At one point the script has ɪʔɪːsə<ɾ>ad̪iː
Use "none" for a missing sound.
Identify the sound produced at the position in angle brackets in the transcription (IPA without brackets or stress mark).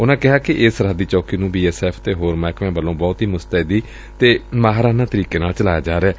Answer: ɾ